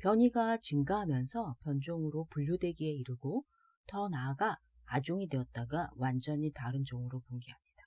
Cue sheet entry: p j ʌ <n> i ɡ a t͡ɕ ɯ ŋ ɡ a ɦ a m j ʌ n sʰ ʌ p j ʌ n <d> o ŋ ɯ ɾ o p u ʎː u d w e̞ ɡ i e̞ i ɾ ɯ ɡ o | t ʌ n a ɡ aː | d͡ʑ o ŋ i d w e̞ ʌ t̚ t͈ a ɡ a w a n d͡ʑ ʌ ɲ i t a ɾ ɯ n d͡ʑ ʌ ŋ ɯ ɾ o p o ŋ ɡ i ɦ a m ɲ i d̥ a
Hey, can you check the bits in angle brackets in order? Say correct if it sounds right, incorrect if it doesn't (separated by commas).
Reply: incorrect, incorrect